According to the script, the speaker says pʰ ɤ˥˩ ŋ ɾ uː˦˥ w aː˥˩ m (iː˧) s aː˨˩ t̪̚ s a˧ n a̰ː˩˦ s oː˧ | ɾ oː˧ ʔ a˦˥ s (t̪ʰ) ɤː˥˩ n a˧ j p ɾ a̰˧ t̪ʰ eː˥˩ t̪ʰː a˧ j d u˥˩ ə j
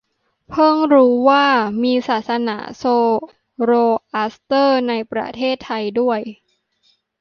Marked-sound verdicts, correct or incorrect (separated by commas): correct, incorrect